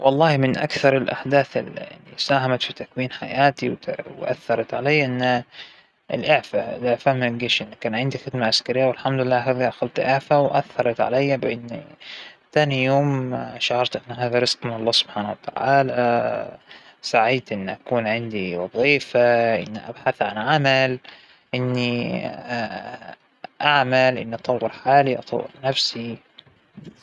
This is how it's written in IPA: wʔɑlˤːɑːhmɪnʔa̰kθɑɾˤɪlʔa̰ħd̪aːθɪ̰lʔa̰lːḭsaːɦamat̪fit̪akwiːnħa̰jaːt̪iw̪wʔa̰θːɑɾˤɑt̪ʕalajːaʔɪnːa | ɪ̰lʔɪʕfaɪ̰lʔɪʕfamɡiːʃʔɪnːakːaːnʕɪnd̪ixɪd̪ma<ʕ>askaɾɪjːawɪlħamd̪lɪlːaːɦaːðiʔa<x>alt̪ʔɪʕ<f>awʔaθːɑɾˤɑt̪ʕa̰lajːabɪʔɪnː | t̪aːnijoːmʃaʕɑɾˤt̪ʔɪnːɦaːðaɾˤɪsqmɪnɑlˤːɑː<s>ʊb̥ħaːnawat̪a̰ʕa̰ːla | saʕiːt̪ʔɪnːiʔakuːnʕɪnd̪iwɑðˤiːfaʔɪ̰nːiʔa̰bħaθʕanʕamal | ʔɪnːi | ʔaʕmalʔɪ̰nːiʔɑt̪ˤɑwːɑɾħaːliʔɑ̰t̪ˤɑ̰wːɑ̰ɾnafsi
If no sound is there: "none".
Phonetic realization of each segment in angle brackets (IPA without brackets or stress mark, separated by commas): ʕ, x, f, s